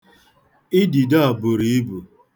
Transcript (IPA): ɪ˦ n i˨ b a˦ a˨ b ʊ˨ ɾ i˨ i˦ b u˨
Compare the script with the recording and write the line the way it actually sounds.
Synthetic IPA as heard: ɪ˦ d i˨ d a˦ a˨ b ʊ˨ ɾ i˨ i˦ b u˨